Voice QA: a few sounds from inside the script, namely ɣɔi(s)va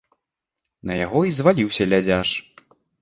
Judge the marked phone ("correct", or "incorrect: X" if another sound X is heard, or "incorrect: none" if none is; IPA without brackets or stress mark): incorrect: z